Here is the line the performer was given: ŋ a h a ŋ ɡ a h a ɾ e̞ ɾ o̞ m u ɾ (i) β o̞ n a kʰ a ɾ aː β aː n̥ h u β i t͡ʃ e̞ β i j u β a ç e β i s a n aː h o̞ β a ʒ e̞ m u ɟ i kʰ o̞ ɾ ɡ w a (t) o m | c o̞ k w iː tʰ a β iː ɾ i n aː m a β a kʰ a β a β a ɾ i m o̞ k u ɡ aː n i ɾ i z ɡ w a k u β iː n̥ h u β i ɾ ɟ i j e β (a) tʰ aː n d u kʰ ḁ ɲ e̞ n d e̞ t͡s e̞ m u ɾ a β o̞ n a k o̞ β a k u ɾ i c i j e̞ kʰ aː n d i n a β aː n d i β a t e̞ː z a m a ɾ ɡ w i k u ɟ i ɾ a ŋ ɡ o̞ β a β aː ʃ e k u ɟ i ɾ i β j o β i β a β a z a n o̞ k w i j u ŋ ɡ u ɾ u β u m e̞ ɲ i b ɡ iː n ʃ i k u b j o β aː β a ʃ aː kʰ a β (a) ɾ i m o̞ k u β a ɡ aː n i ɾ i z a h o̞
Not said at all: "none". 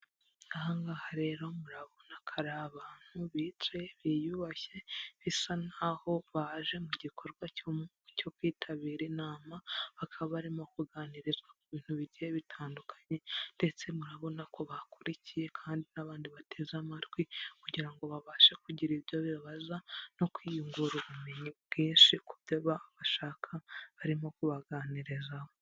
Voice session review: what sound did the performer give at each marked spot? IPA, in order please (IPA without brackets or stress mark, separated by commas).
a, c, i, a